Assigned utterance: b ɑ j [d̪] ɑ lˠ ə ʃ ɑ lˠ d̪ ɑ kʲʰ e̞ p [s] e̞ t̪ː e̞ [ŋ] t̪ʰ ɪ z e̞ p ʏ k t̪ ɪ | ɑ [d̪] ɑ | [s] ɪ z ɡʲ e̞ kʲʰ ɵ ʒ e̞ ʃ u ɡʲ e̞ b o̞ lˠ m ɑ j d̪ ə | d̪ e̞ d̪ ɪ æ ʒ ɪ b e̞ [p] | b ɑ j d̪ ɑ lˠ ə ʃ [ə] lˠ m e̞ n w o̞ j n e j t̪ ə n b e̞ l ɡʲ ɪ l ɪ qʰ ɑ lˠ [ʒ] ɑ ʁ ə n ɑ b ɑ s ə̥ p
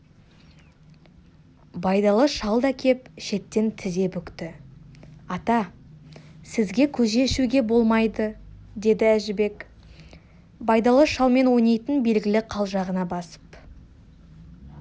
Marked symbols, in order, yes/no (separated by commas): yes, no, no, no, yes, no, no, yes